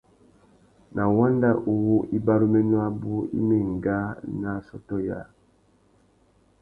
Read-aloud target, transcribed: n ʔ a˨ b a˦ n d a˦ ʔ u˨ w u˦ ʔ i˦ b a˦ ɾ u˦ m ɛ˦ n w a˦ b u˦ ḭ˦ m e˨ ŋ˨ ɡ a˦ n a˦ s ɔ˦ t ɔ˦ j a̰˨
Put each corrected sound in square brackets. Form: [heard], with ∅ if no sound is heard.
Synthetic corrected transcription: n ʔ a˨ [w] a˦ n d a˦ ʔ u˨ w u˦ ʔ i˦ b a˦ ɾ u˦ m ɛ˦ n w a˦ b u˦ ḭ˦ m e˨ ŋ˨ ɡ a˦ n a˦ s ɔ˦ t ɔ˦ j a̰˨